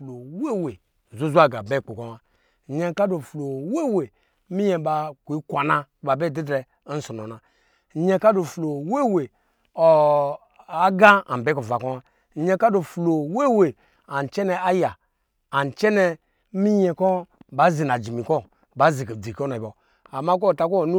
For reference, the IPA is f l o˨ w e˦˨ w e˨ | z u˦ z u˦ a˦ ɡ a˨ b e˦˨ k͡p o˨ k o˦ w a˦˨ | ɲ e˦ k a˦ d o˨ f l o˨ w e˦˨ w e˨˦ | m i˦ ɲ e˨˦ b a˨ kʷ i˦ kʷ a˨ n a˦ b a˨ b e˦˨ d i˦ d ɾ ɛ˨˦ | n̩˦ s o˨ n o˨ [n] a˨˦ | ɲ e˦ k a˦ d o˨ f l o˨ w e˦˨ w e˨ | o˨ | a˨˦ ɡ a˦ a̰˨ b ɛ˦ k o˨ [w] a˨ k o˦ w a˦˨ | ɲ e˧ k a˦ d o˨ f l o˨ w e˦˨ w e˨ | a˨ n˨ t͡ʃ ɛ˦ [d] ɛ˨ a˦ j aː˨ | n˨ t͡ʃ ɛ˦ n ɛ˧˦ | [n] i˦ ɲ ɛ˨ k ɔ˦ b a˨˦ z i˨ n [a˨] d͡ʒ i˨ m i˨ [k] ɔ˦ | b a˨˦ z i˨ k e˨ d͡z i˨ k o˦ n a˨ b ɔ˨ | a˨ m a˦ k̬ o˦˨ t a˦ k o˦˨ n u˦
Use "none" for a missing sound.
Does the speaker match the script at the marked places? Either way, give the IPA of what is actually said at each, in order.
n, v, n, m, a˨, k

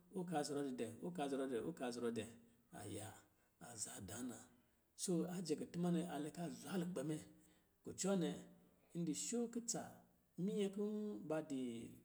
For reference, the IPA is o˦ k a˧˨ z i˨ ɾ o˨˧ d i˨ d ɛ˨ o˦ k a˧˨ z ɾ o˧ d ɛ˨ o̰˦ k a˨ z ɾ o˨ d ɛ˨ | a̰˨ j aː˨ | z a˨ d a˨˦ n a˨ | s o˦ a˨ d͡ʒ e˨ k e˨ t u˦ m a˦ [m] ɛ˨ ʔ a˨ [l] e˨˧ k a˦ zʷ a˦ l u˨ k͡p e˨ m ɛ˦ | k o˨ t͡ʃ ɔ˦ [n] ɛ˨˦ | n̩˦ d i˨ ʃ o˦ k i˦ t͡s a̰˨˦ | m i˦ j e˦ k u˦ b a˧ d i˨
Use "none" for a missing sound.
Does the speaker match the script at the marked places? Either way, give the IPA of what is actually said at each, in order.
n, l, n

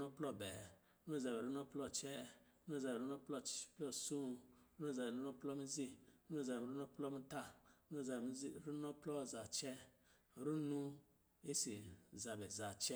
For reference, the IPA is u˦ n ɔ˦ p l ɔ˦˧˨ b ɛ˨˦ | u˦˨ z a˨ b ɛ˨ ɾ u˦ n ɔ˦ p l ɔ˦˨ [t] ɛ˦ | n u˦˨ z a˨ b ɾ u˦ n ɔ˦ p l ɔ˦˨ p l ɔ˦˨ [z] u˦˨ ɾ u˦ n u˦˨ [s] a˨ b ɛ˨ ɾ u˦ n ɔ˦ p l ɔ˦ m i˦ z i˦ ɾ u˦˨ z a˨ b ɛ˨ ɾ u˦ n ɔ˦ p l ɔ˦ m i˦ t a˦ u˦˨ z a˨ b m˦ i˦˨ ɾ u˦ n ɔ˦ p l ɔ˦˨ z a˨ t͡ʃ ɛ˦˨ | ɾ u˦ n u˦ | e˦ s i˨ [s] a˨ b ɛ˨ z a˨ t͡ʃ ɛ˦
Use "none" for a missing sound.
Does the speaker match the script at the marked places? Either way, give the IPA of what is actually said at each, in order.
t͡ʃ, s, z, z

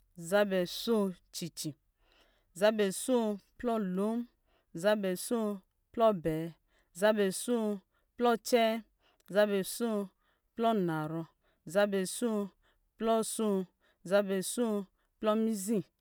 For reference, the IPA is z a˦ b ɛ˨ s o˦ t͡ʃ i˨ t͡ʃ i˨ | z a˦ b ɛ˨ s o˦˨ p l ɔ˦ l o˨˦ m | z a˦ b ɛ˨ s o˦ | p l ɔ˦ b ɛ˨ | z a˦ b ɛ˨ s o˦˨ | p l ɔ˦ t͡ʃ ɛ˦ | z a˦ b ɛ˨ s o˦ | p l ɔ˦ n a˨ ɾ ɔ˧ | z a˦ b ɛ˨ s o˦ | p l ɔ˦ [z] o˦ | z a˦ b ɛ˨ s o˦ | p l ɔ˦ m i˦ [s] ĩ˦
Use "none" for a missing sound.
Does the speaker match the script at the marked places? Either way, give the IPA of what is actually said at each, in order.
s, z

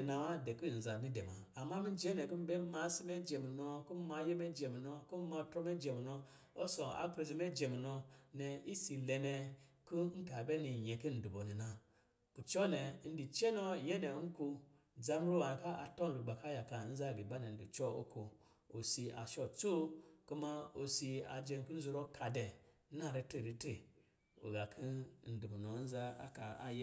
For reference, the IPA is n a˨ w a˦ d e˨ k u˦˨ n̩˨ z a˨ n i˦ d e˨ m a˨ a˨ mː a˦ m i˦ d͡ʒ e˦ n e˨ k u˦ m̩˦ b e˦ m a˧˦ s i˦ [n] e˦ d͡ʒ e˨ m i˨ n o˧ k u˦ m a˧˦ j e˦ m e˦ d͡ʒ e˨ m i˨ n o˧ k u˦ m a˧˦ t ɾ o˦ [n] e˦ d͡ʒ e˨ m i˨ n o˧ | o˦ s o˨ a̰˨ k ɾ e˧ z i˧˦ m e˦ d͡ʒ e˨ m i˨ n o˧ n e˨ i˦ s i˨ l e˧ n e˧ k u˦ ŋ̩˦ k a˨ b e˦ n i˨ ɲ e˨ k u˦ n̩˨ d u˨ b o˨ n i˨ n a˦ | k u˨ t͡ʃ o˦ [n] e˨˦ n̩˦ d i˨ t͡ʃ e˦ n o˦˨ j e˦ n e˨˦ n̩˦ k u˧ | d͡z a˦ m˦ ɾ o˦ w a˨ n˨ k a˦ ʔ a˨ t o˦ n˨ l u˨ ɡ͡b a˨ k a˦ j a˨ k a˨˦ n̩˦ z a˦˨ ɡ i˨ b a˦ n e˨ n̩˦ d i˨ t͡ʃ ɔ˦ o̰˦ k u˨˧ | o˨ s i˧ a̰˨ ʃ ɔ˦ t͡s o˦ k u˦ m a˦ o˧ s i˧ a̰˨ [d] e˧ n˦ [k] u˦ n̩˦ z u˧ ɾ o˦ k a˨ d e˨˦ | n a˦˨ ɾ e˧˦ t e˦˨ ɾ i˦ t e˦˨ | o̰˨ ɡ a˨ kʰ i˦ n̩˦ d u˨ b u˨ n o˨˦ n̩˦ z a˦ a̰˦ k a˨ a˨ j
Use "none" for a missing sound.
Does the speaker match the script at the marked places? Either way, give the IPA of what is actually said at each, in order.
m, m, n, d͡ʒ, k

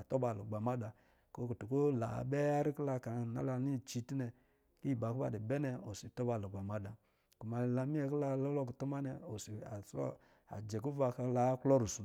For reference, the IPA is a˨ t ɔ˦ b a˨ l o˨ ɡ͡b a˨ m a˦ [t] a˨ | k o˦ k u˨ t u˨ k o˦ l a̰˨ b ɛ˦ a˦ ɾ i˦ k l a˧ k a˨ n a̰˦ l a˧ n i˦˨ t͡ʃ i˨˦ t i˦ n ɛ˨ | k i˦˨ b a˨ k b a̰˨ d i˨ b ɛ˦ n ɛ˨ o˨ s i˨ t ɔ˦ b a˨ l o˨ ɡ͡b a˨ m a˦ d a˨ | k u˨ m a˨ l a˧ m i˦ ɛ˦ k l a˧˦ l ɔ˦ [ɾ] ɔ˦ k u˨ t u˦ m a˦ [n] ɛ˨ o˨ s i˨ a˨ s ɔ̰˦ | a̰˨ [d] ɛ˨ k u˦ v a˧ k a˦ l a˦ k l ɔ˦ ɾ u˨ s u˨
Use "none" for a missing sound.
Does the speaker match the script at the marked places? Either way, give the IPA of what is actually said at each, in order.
d, l, n, d͡ʒ

